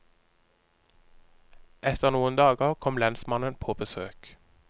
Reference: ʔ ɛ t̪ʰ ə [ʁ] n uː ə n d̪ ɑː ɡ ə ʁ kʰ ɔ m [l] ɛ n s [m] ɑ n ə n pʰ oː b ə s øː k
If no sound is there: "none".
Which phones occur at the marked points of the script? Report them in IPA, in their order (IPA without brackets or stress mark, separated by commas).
ʁ, l, m